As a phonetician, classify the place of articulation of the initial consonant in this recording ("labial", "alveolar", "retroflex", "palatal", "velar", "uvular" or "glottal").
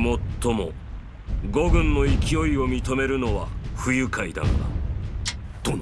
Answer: labial